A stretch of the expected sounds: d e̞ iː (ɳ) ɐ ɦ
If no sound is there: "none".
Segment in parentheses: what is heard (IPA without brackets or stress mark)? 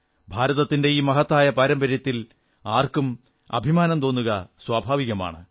m